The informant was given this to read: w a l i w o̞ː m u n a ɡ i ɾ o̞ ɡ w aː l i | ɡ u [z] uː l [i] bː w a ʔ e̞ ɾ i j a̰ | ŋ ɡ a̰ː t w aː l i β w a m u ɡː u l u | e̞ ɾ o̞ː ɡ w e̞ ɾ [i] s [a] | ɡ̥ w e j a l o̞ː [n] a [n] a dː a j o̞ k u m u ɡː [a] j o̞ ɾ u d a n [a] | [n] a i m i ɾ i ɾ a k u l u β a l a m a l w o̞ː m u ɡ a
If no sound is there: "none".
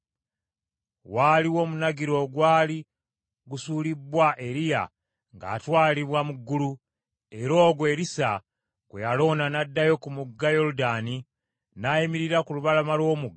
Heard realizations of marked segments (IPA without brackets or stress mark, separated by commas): s, i, i, a, n, n, a, i, n